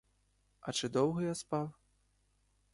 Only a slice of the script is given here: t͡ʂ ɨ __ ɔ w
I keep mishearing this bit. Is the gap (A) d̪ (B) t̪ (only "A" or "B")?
A